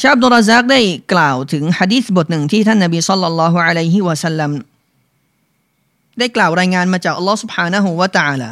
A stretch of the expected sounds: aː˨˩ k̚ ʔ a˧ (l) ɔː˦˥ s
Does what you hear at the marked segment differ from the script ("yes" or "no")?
yes